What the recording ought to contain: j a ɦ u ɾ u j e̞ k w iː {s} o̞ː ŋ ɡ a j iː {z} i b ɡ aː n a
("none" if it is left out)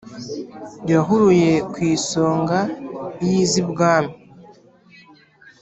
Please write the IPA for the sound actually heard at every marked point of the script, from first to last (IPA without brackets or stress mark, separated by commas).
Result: s, z